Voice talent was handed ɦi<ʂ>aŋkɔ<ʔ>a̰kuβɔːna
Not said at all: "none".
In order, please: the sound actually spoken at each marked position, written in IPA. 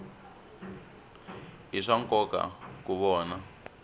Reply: ʂ, k

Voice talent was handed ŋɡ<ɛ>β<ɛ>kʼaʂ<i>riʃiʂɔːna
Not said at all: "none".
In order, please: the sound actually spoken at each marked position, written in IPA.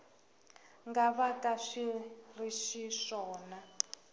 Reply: a, a, i

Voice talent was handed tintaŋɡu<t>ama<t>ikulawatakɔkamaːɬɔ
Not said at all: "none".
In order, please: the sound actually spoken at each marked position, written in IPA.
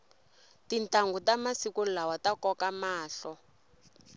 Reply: t, s

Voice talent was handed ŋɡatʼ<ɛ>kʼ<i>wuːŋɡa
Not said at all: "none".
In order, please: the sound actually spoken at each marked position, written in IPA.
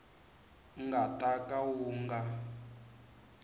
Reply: a, a

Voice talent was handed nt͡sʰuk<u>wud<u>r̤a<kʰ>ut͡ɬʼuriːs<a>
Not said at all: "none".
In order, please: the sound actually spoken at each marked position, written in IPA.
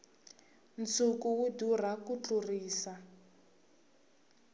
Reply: u, u, k, a

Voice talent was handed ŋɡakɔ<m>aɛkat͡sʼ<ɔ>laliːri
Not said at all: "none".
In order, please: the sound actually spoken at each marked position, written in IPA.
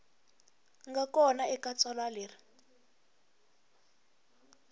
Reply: n, ɔ

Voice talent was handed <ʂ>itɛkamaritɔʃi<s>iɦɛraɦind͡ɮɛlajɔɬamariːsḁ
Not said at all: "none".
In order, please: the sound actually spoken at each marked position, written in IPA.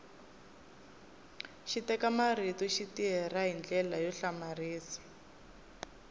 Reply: ʃ, t

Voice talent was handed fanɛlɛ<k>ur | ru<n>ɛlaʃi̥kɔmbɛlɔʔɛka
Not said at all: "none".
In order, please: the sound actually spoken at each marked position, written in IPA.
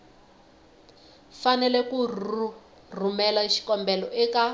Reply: k, m

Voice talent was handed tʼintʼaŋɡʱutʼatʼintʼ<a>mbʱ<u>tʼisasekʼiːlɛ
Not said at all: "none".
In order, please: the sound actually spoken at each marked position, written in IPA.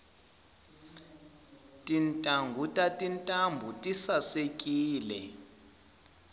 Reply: a, u

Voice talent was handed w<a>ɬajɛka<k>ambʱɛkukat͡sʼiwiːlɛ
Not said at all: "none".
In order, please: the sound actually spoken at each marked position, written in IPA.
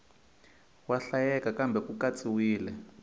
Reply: a, k

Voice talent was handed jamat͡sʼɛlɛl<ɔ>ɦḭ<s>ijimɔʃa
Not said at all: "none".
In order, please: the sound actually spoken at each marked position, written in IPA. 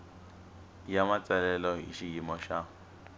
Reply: ɔ, ʃ

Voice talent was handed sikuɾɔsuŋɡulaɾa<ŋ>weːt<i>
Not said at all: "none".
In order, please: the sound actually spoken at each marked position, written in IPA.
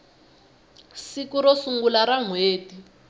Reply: ŋ, i

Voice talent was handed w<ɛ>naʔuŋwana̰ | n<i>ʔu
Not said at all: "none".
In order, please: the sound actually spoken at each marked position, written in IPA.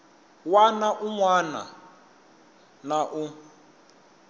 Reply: a, a

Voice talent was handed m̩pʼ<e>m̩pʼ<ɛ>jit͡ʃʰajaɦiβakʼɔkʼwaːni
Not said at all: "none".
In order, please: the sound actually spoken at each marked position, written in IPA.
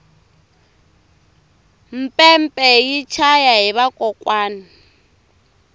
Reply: ɛ, ɛ

